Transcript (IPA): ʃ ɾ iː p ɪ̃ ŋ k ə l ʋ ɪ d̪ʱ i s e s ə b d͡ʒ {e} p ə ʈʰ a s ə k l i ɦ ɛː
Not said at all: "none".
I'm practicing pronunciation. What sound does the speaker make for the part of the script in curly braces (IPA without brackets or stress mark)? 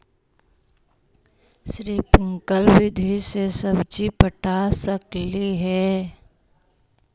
i